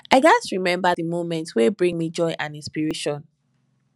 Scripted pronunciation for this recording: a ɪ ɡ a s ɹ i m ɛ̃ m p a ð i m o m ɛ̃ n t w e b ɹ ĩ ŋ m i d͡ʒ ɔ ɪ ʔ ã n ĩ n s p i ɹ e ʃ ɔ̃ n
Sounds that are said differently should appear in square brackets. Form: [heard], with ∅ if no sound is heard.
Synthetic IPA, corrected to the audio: a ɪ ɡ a s ɹ i m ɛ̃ m [b] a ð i m o m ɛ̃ n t w e b ɹ ĩ ŋ m i d͡ʒ ɔ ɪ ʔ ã n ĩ n s p i ɹ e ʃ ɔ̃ n